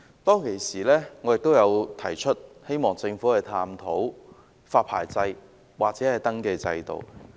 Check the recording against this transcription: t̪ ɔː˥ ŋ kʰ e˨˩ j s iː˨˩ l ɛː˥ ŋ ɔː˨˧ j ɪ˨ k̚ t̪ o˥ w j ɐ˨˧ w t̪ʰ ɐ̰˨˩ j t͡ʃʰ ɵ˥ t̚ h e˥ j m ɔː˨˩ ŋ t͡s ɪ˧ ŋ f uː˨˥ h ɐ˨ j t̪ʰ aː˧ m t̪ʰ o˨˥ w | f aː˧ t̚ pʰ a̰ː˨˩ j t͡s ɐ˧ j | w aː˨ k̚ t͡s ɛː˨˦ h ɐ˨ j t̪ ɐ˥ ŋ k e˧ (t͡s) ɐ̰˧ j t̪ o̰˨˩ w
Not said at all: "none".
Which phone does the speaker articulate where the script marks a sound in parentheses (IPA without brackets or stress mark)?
t͡s